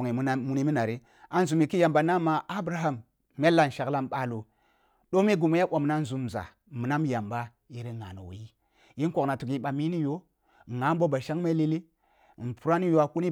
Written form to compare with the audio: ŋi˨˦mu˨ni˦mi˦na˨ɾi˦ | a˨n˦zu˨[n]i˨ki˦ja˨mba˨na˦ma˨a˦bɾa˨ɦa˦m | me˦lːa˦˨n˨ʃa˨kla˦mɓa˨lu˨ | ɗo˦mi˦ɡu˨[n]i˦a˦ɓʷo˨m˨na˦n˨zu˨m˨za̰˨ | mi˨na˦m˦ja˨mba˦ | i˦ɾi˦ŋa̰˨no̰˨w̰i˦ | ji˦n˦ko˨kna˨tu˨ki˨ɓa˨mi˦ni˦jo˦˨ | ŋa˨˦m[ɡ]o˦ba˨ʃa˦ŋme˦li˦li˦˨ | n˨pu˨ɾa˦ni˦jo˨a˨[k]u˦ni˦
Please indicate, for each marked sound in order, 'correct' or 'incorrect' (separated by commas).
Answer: incorrect, incorrect, incorrect, correct